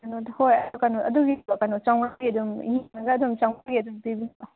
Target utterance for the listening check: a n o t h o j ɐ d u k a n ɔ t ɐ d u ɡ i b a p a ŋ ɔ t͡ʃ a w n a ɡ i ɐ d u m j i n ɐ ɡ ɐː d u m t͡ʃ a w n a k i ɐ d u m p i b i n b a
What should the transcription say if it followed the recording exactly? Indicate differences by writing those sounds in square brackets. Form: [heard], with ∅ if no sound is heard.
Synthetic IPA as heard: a n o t h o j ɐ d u k a n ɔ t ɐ d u ɡ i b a [k] a [n] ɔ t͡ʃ a w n a ɡ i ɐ d u m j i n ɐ ɡ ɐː d u m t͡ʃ a w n a [ɡ] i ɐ d u m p i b i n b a